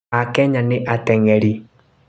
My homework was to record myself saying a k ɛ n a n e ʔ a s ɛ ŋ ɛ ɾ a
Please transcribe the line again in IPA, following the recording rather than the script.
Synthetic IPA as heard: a k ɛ ɲ a n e ʔ a t ɛ ŋ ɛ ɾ i